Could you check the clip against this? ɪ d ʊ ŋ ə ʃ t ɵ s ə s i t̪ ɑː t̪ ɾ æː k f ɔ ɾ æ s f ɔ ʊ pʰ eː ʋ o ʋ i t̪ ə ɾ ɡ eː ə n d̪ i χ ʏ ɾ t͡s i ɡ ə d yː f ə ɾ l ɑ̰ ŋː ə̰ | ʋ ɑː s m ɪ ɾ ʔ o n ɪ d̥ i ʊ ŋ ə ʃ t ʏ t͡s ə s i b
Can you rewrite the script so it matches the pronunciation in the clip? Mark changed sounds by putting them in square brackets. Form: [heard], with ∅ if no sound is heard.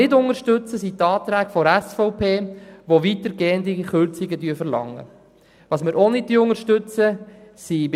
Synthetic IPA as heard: ɪ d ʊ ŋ ə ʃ t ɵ [t͡s] ə s i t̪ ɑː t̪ ɾ æː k f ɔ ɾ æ s f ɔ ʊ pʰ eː ʋ o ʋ i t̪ ə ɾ ɡ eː ə n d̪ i χ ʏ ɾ t͡s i ɡ ə d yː f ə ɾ l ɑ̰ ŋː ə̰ | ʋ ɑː s m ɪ ɾ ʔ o n ɪ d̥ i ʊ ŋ ə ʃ t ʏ t͡s ə s i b

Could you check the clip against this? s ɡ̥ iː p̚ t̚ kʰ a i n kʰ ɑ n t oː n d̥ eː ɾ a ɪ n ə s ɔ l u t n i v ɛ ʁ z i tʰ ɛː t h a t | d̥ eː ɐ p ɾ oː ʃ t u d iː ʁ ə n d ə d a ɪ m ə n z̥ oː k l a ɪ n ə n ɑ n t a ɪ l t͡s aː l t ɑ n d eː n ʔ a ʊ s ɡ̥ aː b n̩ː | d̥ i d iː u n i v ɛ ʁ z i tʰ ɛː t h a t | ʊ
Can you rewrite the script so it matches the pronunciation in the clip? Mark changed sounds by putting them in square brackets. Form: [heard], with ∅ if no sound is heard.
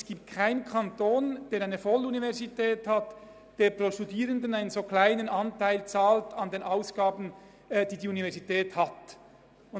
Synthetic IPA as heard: s ɡ̥ iː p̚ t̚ kʰ a [ɪ] n kʰ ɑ n t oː n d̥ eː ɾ a ɪ n ə [f] ɔ l u [∅] n i v ɛ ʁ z i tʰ ɛː t h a t | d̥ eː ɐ p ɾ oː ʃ t u d iː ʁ ə n d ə [n] a ɪ [n] ə n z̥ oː k l a ɪ n ə n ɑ n t a ɪ l t͡s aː l t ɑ n d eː n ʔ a ʊ s ɡ̥ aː b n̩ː | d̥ [iː] d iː u n i v ɛ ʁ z i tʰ ɛː t h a t | ʊ

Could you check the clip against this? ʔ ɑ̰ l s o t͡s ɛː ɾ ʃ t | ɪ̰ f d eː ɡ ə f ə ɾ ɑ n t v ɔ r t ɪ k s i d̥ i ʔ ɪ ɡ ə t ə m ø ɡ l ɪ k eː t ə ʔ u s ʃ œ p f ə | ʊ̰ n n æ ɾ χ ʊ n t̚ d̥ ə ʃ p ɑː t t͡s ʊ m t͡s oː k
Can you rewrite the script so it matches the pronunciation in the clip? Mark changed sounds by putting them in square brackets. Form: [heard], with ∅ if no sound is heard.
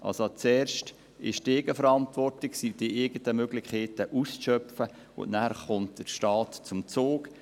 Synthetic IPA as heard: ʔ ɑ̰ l s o t͡s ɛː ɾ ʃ t | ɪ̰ [ʃ] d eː ɡ ə f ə ɾ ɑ n t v ɔ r t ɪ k s i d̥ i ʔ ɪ ɡ ə t ə m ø ɡ l ɪ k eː t ə ʔ u s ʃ œ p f ə | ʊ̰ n n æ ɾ χ ʊ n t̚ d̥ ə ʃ [t] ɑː t t͡s ʊ m t͡s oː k

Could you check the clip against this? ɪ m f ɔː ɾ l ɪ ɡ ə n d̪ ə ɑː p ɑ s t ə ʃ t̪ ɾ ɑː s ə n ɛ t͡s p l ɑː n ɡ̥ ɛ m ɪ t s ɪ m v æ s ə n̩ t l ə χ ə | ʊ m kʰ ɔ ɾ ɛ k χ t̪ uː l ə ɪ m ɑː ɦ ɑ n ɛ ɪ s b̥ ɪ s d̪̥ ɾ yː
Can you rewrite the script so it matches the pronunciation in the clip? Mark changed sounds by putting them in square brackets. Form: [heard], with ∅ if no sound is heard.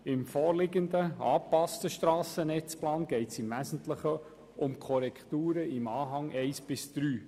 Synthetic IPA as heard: ɪ m f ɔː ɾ l ɪ ɡ ə n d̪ ə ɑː p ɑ s t ə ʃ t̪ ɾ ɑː s ə n ɛ t͡s p l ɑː n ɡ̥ ɛ [∅] ɪ t s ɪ m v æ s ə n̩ t l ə χ ə | ʊ m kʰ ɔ ɾ ɛ k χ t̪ uː [ɾ] ə ɪ m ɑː ɦ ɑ [ŋ] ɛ ɪ s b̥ ɪ s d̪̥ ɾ yː

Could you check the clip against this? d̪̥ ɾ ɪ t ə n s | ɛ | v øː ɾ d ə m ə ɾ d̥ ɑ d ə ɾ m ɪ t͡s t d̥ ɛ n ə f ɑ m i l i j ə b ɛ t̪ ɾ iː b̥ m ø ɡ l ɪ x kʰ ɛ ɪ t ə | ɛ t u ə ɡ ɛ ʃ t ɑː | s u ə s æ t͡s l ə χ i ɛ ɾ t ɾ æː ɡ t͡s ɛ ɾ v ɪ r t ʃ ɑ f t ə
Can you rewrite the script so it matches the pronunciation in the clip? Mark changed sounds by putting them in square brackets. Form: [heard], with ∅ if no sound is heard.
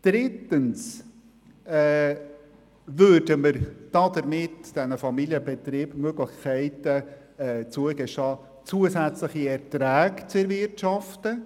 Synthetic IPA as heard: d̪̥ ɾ ɪ t ə n s | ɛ | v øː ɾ d ə m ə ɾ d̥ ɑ d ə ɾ m ɪ [∅] t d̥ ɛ n ə f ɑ m i l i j ə b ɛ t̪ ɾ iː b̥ m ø ɡ l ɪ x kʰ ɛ ɪ t ə | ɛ [t͡s] u ə ɡ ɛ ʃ t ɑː | [t͡s] u ə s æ t͡s l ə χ i ɛ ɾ t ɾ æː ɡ t͡s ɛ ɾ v ɪ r t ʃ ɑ f t ə

